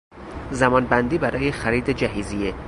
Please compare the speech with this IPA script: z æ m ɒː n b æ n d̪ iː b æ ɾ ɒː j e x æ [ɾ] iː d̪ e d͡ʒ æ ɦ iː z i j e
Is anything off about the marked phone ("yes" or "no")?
no